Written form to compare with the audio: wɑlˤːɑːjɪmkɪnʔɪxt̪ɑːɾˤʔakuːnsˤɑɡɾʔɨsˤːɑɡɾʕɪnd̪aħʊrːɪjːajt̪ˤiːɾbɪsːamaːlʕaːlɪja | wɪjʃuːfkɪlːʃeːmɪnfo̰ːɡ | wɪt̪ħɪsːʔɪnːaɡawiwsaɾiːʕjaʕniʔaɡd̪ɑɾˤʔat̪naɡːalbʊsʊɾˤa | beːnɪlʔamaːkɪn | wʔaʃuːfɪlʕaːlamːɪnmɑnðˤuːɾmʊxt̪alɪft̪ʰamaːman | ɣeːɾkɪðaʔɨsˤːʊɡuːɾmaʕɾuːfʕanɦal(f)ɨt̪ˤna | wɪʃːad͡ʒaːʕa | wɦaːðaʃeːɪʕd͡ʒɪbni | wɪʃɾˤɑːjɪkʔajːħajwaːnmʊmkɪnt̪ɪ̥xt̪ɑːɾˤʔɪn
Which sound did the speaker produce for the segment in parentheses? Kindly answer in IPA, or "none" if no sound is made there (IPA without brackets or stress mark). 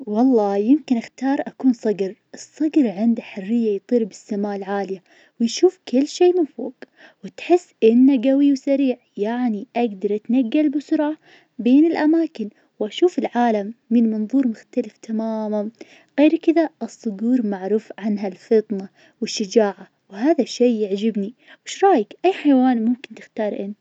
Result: f